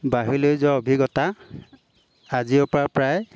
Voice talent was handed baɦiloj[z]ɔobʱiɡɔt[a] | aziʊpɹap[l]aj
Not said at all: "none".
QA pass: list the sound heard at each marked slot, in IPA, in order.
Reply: z, a, ɹ

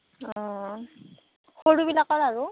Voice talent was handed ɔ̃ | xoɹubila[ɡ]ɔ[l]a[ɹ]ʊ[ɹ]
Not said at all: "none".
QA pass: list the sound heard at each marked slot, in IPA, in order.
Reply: k, ɹ, ɹ, none

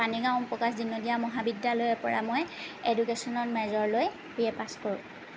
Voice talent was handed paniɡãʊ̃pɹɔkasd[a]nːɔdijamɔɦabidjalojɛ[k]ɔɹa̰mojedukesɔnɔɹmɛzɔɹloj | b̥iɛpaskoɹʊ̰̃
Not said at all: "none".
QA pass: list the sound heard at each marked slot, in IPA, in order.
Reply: i, p

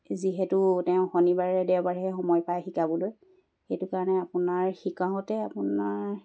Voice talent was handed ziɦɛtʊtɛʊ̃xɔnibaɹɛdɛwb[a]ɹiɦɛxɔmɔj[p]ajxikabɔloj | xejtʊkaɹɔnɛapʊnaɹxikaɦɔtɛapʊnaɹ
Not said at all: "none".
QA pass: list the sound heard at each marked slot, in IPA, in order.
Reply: a, p

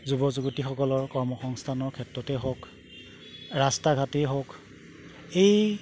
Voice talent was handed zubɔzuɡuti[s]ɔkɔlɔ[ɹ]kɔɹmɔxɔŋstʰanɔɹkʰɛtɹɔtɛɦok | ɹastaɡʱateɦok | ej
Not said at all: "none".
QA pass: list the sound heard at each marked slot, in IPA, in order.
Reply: x, ɹ

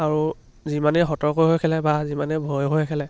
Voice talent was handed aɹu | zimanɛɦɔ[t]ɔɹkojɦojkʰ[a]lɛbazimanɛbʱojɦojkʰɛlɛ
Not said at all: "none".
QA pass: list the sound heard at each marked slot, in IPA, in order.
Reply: t, ɛ

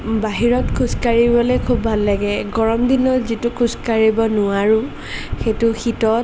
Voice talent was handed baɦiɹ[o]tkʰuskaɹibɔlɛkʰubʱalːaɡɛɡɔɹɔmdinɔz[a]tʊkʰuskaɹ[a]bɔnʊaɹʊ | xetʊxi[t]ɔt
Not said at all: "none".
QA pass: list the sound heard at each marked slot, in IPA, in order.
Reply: ɔ, i, i, t

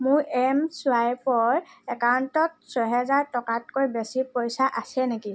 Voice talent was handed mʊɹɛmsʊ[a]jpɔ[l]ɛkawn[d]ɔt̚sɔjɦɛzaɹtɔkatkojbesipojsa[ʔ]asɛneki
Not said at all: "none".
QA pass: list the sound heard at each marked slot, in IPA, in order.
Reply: a, ɹ, t, ʔ

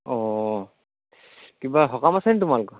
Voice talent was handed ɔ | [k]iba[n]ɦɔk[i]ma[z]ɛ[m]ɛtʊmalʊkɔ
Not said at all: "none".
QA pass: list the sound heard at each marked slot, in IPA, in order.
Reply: k, none, a, s, n

